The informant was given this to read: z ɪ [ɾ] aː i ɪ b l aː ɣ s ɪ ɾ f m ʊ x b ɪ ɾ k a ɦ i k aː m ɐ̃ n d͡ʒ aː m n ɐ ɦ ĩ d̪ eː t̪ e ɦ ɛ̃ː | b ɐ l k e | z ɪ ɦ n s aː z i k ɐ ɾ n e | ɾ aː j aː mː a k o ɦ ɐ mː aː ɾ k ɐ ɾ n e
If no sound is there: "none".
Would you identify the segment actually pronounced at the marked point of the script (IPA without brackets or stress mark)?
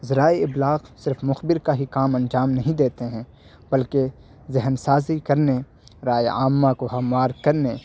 ɾ